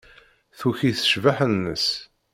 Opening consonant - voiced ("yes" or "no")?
no